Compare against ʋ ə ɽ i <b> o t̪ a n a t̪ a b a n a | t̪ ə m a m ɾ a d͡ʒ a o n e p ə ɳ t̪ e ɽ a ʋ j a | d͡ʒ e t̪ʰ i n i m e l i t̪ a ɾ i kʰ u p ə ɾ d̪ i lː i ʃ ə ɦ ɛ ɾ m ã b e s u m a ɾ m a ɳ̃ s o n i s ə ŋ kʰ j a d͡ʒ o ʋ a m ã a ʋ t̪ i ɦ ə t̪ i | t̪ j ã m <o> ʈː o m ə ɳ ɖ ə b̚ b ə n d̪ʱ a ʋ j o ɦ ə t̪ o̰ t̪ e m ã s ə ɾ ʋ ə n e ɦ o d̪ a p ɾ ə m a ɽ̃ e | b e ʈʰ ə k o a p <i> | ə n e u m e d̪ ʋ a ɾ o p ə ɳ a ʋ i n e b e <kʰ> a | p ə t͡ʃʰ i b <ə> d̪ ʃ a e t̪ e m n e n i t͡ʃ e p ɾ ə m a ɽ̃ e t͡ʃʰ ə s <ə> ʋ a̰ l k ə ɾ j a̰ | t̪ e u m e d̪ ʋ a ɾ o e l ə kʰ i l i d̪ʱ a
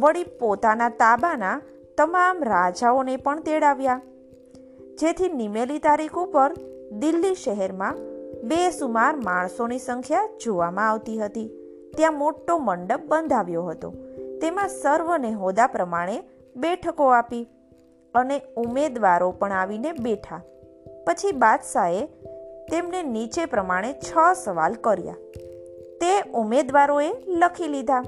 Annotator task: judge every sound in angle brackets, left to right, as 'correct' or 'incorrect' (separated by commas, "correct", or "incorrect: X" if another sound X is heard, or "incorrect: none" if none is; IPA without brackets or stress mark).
incorrect: p, correct, correct, incorrect: ʈʰ, incorrect: a, correct